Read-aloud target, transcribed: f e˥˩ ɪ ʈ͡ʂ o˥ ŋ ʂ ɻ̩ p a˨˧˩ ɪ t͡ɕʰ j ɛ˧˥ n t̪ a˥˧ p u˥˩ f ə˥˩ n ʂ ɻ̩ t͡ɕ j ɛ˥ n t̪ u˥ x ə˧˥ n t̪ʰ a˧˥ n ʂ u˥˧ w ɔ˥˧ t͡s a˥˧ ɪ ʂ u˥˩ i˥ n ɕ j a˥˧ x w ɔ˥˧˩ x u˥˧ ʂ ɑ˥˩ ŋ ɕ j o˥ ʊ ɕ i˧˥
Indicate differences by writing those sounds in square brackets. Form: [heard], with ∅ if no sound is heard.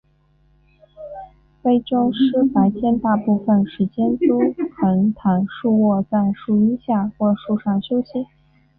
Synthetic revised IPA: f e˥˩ ɪ ʈ͡ʂ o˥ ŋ ʂ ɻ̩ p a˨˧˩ ɪ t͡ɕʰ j [ɛ˥˧] n t̪ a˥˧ p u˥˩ f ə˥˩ n ʂ ɻ̩ t͡ɕ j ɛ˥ n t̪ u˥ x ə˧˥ n t̪ʰ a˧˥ n ʂ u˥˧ w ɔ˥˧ t͡s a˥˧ ɪ ʂ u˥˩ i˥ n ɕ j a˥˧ x w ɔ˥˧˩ [ʂ] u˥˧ ʂ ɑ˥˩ ŋ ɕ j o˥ ʊ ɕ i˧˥